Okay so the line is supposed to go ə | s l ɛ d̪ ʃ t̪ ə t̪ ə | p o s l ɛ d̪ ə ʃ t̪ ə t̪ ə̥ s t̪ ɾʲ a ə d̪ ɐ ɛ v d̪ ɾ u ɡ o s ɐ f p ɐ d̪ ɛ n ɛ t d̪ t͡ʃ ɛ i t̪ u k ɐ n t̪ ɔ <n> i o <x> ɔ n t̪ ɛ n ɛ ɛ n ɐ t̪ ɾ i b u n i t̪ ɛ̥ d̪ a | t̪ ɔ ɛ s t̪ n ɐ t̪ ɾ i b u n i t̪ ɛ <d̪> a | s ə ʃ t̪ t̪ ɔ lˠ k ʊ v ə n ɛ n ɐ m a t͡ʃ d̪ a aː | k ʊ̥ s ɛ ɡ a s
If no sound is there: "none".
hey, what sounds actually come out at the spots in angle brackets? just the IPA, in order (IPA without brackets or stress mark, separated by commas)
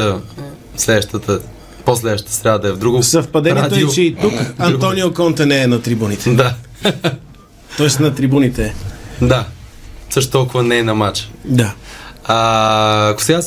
n, k, d̪